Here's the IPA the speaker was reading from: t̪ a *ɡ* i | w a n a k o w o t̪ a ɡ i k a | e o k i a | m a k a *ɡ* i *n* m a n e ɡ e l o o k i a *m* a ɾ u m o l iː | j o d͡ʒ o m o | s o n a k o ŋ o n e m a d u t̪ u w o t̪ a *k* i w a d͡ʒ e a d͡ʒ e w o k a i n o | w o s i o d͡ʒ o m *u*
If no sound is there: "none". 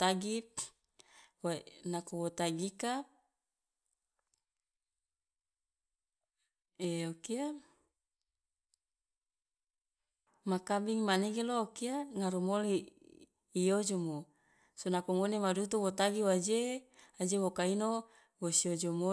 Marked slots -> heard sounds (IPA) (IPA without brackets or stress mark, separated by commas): ɡ, b, ŋ, ŋ, ɡ, o